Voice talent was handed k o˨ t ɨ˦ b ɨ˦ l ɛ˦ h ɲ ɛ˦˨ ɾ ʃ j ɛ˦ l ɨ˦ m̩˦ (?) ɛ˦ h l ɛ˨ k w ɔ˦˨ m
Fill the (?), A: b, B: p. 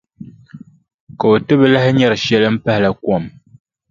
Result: B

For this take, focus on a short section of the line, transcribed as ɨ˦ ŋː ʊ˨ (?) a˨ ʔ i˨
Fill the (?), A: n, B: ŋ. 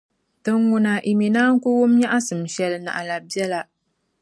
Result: A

